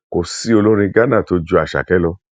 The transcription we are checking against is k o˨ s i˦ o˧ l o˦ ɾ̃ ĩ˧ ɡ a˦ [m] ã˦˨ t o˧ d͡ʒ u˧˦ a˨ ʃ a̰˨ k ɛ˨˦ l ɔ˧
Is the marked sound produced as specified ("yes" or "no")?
no